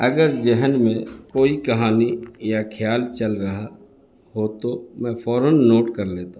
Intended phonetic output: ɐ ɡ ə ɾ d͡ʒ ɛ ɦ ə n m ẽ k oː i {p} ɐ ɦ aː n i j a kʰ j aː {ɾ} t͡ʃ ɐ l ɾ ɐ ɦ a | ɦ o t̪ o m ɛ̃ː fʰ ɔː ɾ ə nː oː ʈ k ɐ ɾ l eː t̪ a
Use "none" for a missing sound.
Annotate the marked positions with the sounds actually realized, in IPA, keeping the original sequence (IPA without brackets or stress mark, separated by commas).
k, l